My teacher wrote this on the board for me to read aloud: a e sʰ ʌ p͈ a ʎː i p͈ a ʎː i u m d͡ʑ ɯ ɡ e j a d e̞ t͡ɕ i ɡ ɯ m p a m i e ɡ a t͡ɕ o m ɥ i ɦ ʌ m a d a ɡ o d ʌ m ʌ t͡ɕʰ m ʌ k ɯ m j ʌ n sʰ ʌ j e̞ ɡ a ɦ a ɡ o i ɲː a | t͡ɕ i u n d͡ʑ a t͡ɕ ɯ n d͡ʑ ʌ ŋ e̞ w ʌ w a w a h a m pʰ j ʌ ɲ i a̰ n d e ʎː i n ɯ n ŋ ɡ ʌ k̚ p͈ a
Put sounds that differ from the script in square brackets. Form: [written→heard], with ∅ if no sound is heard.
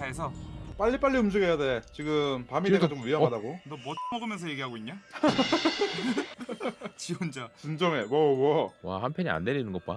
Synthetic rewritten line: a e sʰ ʌ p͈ a ʎː i p͈ a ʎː i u m d͡ʑ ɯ ɡ e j a d e̞ t͡ɕ i ɡ ɯ m p a m i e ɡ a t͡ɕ o m ɥ i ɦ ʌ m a d a ɡ o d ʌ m ʌ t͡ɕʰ m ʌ [k→ɡ] ɯ m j ʌ n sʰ ʌ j e̞ ɡ [a→i] ɦ a ɡ o i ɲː a | t͡ɕ i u n d͡ʑ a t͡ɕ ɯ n d͡ʑ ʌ ŋ e̞ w ʌ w [a→ʌ] w a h a m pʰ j ʌ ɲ i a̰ n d e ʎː i n ɯ n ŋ ɡ ʌ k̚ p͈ a